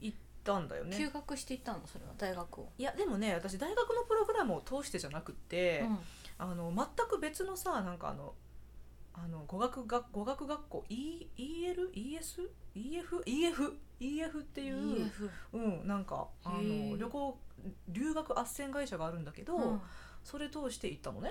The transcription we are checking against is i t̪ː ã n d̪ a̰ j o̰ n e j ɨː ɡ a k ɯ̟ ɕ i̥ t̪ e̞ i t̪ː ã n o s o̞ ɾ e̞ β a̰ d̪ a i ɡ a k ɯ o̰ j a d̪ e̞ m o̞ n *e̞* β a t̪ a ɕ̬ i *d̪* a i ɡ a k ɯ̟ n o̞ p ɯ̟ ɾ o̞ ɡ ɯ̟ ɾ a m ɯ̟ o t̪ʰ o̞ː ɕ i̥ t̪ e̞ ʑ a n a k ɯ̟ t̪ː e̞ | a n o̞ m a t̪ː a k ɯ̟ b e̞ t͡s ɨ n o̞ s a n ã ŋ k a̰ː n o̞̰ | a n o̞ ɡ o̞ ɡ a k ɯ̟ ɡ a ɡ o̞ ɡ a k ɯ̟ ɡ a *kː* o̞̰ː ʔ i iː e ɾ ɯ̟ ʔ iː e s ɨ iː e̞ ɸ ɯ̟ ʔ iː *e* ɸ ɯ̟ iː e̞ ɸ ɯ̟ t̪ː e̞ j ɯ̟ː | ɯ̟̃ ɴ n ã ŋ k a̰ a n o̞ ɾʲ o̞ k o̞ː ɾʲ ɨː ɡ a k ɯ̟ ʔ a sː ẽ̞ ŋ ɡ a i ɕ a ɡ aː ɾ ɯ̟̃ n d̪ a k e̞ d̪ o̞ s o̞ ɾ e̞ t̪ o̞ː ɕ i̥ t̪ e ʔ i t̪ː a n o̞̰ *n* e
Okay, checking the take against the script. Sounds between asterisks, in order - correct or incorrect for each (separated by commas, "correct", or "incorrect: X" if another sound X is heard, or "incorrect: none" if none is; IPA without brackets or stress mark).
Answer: correct, correct, correct, correct, correct